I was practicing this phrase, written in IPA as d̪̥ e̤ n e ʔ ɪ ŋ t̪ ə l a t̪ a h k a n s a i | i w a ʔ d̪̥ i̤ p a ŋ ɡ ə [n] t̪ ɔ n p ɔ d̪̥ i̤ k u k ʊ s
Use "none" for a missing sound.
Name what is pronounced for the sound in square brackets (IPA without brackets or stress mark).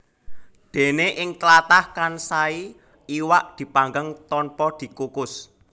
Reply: ŋ